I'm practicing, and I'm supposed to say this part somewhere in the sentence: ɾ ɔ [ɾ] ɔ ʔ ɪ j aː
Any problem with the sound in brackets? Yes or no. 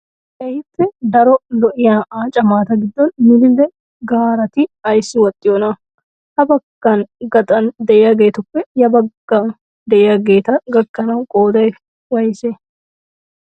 yes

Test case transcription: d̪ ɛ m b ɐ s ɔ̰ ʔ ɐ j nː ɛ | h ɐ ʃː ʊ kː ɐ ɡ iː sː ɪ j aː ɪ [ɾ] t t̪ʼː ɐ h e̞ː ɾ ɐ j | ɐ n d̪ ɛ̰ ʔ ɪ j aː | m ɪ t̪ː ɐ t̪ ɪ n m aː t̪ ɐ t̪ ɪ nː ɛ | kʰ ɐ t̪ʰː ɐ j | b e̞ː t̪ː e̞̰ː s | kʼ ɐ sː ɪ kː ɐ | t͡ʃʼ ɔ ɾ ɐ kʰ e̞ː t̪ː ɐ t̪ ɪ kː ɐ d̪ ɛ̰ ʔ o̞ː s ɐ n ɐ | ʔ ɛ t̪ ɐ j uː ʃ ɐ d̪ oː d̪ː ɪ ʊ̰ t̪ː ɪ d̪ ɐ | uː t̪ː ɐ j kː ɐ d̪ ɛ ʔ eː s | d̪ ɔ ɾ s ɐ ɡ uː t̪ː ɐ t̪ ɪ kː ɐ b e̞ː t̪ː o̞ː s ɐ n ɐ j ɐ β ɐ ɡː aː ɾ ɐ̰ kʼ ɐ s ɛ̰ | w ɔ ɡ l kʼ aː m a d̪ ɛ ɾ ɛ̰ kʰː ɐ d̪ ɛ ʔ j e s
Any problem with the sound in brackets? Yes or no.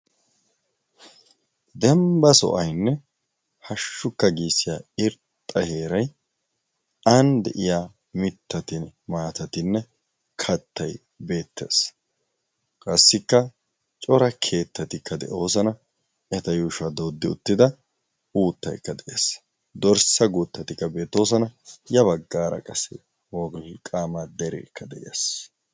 no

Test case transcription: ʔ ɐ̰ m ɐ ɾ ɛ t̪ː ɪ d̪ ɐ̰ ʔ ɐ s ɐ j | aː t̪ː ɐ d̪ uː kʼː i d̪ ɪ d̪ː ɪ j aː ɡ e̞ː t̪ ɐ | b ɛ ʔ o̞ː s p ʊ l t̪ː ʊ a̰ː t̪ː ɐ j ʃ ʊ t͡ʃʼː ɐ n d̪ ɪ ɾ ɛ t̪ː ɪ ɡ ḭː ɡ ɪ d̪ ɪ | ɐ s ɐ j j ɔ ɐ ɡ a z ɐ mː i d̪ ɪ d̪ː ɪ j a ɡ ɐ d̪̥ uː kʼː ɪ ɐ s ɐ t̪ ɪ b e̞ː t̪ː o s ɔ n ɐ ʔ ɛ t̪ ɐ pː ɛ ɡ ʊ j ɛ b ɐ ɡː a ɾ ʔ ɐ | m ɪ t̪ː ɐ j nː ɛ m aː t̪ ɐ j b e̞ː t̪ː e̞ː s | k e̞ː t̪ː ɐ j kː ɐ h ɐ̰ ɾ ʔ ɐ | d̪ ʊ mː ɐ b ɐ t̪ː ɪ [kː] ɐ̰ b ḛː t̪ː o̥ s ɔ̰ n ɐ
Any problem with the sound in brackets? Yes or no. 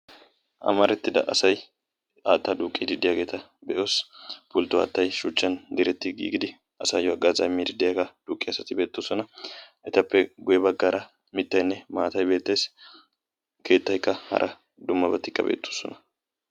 no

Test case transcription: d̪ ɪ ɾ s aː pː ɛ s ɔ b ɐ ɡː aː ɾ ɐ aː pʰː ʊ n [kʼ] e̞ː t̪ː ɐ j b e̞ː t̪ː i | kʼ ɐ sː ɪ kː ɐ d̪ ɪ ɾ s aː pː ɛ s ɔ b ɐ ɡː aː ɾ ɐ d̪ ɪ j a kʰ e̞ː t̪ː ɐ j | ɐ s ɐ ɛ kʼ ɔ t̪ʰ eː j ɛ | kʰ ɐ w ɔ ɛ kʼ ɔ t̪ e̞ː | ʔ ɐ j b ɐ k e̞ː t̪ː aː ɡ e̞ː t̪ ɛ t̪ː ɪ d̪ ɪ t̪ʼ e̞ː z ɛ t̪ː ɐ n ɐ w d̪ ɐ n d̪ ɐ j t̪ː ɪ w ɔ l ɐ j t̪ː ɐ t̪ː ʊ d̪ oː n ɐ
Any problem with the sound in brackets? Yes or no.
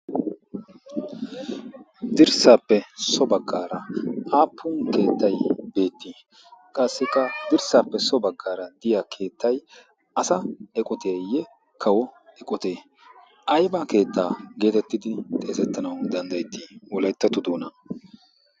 yes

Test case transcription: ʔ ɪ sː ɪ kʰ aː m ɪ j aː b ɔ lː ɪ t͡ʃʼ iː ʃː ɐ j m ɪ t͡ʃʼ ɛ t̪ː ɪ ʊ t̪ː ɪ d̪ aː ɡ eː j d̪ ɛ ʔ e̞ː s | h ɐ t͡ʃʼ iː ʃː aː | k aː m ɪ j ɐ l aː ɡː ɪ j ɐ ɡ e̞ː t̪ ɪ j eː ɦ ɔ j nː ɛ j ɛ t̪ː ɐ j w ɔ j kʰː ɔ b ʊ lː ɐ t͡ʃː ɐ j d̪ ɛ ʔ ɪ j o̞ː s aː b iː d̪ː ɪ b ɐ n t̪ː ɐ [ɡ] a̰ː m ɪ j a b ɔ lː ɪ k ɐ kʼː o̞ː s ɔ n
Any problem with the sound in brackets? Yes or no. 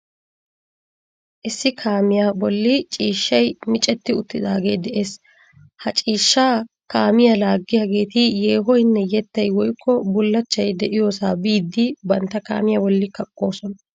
yes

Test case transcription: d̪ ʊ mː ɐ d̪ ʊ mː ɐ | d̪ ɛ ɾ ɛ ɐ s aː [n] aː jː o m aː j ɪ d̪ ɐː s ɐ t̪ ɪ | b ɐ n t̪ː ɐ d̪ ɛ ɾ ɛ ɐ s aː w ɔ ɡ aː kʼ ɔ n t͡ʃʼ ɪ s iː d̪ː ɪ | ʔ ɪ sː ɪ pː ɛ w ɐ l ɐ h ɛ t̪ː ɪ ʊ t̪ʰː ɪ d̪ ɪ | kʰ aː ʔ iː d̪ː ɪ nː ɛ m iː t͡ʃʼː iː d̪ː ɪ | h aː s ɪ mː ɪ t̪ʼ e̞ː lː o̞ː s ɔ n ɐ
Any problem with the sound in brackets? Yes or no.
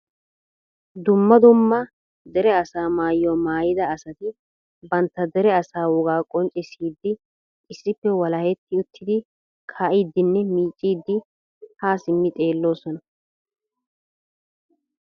yes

